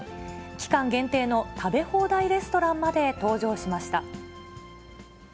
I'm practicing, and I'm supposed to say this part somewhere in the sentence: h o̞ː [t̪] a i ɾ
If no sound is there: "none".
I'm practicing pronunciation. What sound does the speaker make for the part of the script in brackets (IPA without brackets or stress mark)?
d̪